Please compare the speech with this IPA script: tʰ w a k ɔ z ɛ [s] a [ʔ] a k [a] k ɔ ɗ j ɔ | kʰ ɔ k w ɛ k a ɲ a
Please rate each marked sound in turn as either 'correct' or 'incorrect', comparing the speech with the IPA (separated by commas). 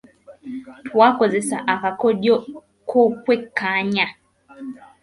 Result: correct, correct, correct